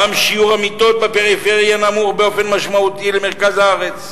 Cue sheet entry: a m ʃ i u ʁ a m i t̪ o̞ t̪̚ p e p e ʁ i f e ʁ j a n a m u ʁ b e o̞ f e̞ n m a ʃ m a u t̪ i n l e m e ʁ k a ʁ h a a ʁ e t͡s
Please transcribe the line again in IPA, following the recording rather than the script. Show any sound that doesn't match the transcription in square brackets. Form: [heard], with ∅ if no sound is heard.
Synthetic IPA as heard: a m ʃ i u ʁ a m i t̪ o̞ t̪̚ [b] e p e ʁ i f e ʁ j a n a m u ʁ b e o̞ f e̞ n m a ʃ m a u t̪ i [∅] l e m e ʁ k a [z] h a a ʁ e t͡s